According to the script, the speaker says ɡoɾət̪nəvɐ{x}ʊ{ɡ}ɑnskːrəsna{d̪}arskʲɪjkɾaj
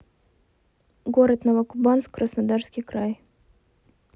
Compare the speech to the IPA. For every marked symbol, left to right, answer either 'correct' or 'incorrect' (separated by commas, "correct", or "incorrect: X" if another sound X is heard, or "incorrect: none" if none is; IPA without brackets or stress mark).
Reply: incorrect: k, incorrect: b, correct